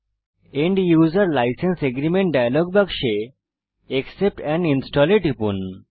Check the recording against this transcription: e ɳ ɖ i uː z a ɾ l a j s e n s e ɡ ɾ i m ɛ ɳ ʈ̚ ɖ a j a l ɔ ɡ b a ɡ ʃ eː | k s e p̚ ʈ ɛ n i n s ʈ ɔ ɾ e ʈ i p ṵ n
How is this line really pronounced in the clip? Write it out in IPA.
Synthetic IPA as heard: e ɳ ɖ j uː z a ɾ l a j s e n s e ɡ ɾ i m e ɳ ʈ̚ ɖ a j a l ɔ ɡ b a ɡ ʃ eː | k s e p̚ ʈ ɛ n i n s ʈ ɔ l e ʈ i p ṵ n